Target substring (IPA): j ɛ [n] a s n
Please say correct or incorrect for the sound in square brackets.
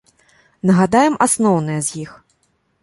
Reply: incorrect